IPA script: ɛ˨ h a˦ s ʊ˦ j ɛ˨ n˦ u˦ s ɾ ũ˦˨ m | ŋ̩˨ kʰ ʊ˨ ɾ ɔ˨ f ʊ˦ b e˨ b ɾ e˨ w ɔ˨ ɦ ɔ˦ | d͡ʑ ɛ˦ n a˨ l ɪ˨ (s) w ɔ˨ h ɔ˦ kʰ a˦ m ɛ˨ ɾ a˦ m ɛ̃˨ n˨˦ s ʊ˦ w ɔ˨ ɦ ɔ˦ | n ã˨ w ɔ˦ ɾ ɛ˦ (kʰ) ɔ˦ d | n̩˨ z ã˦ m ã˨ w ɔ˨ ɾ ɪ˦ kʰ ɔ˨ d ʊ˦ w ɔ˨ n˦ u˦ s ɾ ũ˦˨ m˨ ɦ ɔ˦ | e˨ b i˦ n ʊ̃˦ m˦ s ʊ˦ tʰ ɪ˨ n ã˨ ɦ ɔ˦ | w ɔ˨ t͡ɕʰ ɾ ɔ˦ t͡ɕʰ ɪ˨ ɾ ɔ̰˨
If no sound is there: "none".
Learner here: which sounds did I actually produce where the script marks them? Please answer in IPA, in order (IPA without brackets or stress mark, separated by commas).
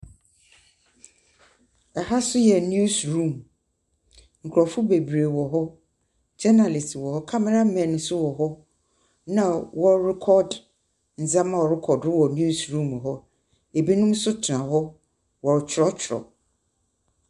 s, kʰ